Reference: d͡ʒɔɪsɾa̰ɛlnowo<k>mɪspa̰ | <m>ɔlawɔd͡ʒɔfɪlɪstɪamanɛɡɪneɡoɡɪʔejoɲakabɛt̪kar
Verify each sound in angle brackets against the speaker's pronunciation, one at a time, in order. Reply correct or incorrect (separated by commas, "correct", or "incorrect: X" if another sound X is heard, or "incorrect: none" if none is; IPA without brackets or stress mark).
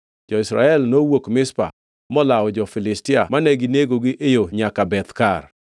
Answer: correct, correct